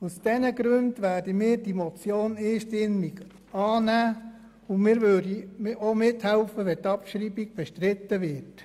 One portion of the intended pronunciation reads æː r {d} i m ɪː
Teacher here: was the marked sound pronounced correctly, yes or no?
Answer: yes